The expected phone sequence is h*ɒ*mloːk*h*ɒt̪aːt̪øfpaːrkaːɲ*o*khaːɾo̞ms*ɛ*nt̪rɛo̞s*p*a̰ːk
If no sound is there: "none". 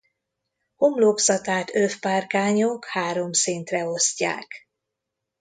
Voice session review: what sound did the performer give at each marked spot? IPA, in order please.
o, s, o, i, c

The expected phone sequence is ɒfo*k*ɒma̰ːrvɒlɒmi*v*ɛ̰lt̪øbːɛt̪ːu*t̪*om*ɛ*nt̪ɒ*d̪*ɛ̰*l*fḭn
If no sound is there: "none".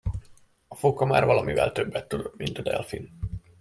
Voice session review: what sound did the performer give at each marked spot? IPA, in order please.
k, v, d̪, i, d̪, l

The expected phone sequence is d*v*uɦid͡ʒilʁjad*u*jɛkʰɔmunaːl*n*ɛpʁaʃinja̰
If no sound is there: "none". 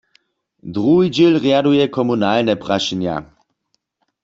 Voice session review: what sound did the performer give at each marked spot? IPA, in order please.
ʁ, u, n

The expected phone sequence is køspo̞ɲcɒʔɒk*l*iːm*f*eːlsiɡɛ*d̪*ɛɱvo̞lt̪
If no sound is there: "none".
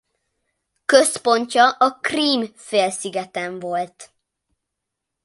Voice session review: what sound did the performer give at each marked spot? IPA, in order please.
r, f, t̪

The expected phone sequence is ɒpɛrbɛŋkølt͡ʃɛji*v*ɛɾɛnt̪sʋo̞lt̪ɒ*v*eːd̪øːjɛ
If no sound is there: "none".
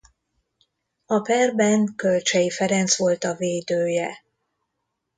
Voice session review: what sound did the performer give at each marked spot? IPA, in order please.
f, v

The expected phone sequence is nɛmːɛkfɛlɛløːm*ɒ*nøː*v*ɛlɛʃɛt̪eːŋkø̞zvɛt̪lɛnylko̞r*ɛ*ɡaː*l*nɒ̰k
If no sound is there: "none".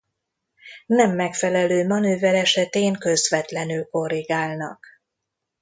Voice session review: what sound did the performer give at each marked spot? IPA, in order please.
ɒ, v, i, l

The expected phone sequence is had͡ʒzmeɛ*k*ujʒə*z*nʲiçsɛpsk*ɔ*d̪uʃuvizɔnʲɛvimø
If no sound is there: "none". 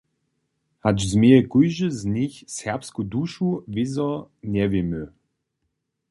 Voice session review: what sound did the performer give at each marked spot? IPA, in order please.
k, z, u

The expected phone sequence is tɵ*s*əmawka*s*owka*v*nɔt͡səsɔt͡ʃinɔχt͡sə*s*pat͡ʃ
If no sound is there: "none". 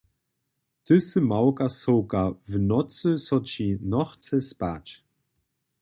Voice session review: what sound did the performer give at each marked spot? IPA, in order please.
s, s, v, s

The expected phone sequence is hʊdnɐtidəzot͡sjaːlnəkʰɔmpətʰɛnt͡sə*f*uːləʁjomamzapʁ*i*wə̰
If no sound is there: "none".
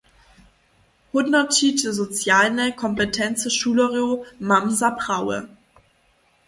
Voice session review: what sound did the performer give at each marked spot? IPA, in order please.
ʃ, a

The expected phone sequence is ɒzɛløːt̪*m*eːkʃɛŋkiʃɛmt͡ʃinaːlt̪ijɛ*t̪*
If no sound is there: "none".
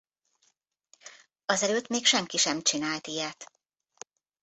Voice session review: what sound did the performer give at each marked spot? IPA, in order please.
m, t̪

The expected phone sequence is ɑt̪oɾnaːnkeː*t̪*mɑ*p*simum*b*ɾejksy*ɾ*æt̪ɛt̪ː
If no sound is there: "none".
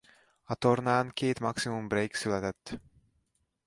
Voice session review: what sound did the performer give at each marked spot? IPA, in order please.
t̪, k, b, l

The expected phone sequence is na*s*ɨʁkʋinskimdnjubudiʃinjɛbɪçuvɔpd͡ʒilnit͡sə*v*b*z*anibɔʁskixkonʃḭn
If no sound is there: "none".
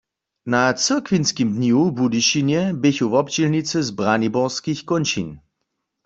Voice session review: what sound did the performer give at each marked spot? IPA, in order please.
t͡s, z, ʁ

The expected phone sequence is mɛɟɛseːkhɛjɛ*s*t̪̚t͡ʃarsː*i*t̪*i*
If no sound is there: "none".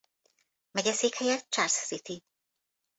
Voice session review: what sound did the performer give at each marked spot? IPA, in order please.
none, i, i

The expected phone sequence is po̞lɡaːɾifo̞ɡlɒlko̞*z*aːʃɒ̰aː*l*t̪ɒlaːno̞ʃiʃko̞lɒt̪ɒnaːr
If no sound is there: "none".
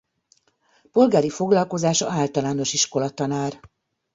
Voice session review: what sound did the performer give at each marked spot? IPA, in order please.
z, l

